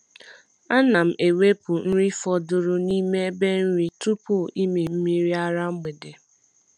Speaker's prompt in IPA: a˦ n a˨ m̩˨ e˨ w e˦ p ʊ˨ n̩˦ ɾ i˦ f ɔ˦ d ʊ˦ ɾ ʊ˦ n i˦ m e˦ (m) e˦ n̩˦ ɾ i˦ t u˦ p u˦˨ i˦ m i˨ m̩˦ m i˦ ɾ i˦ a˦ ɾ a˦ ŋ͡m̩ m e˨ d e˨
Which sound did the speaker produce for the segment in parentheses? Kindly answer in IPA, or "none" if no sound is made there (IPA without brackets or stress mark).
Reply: b